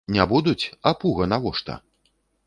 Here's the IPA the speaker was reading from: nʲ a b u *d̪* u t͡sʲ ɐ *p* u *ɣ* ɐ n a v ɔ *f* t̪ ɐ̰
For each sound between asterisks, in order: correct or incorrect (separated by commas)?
correct, correct, correct, incorrect